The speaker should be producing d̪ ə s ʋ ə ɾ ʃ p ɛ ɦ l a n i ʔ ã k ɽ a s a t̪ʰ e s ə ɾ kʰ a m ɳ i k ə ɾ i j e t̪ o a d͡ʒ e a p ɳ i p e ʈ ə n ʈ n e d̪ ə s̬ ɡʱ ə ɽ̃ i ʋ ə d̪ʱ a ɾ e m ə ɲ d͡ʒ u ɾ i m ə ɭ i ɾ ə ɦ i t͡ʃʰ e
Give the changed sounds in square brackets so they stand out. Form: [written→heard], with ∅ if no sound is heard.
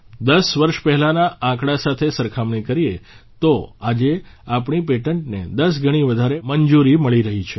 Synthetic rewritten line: d̪ ə s ʋ ə ɾ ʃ p ɛ ɦ l a n [i→a] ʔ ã k ɽ a s a t̪ʰ e s ə ɾ kʰ a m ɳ i k ə ɾ i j e t̪ o a d͡ʒ e a p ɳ i p e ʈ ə [n→ɳ] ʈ n e d̪ ə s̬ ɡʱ ə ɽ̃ i ʋ ə d̪ʱ a ɾ e m ə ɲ d͡ʒ u ɾ i m ə ɭ i ɾ ə ɦ i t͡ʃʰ e